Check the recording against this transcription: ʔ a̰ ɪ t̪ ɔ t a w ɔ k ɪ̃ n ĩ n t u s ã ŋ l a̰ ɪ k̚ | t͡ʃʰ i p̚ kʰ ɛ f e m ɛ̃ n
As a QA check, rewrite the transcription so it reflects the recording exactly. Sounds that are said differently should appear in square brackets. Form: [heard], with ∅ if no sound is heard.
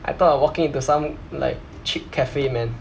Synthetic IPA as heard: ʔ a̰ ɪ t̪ ɔ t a w ɔ k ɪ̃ [ŋ] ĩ n t u s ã [m] l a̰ ɪ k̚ | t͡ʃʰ i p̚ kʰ ɛ f e m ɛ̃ n